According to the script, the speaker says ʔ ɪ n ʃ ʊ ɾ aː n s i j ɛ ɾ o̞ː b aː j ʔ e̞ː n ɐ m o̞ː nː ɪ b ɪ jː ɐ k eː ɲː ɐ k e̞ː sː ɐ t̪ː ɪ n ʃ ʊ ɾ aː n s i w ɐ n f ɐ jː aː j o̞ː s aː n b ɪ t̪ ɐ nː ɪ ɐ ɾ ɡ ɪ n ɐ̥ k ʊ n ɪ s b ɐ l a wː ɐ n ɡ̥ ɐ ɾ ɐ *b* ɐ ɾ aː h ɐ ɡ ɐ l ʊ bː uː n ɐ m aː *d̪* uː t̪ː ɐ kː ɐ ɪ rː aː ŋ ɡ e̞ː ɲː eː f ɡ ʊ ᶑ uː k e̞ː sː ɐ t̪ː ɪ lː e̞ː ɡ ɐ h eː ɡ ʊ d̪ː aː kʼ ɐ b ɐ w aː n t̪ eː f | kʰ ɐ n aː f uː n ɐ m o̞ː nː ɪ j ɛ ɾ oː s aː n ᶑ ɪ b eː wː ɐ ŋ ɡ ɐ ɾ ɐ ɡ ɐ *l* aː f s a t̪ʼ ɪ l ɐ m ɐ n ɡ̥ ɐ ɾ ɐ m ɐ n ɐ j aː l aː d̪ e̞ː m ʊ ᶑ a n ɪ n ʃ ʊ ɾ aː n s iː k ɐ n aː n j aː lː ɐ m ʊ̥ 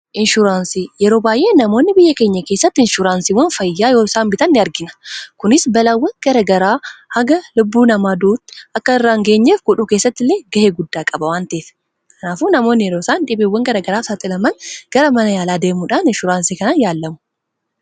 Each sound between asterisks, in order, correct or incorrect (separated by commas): incorrect, correct, incorrect